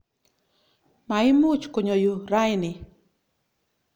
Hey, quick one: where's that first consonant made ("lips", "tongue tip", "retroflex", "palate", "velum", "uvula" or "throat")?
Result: lips